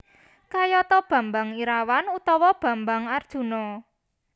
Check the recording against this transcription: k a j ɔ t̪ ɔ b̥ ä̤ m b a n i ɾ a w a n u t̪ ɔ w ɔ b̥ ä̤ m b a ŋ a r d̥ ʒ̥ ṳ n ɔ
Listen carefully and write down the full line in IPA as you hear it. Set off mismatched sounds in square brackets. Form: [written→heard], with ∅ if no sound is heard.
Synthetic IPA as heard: k a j ɔ t̪ ɔ b̥ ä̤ m b a [n→ŋ] i ɾ a w a n u t̪ ɔ w ɔ b̥ ä̤ m b a ŋ a r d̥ ʒ̥ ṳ n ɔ